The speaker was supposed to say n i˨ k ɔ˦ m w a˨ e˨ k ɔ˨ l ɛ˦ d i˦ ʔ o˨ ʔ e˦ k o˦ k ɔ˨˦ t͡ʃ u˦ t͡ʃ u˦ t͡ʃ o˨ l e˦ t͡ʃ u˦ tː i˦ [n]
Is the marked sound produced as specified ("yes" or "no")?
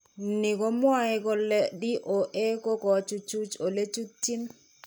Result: yes